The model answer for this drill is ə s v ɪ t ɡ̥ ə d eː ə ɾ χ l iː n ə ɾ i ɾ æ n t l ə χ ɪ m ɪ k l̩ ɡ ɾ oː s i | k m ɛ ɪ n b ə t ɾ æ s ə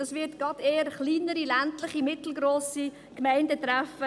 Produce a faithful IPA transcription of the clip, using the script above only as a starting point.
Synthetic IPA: ɑ s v ɪ t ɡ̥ ɑ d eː ə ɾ χ l iː n ə ɾ i l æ n t l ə χ i m ɪ t l̩ ɡ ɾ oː s i | k m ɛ ɪ n d ə t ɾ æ f ə